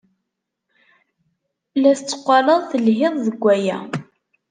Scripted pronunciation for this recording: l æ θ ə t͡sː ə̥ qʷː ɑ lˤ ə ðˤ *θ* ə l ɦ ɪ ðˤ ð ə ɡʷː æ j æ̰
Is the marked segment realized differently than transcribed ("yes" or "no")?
no